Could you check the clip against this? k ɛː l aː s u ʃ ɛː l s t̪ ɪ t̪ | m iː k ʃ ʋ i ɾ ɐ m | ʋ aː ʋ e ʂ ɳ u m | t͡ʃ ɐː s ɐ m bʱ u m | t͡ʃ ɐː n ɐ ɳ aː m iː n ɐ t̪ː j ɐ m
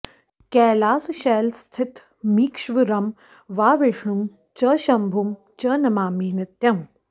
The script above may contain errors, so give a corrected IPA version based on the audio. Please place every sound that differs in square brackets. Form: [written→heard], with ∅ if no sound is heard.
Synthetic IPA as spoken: k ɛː l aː s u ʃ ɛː l s [t̪→t̪ʰ] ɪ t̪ | m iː k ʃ ʋ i ɾ ɐ m | ʋ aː ʋ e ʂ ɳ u m | t͡ʃ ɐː [s→ʃ] ɐ m bʱ u m | t͡ʃ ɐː n ɐ [ɳ→m] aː m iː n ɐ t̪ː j ɐ m